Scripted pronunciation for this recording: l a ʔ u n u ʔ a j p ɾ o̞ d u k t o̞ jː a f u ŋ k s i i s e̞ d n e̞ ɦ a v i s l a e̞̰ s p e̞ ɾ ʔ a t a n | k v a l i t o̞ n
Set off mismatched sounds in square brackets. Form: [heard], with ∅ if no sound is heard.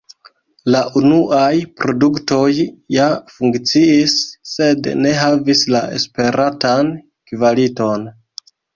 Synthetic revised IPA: l a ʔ u n u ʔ a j p ɾ o̞ d u k t o̞ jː a f u ŋ k [t͡s] i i [sː] e̞ d n e̞ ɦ a v i s l a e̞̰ s p e̞ ɾ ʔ a t a n | k v a l i t o̞ n